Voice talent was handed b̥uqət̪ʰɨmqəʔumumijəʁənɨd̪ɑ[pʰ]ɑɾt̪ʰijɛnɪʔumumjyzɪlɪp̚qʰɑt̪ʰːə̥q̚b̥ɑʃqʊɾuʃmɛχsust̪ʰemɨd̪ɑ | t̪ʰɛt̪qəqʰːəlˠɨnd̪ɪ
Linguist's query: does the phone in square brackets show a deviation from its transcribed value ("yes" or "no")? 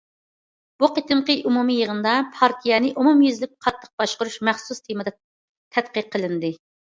no